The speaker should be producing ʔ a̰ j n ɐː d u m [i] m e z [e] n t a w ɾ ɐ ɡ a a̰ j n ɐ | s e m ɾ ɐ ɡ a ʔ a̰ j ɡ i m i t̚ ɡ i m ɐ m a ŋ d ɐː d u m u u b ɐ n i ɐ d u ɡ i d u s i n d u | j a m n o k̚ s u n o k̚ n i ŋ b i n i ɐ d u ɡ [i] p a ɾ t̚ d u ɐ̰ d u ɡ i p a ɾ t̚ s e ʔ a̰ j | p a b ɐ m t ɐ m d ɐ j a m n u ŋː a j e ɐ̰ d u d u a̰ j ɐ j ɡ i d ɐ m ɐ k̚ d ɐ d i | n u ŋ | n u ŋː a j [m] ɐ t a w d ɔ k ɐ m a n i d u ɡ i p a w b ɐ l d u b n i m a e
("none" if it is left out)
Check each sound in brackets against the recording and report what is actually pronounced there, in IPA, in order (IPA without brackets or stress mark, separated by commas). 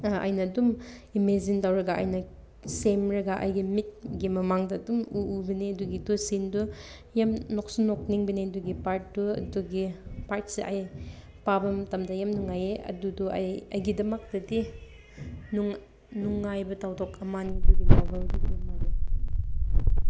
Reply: i, i, i, b